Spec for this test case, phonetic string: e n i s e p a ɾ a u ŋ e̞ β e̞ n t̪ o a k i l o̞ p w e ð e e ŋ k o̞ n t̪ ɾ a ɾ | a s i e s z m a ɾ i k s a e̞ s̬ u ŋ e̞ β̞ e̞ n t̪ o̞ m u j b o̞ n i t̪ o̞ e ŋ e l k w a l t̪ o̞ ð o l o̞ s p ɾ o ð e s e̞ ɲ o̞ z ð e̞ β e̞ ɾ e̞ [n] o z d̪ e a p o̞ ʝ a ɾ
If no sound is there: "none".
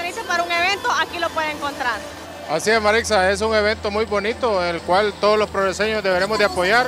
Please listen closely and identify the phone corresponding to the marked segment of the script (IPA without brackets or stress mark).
m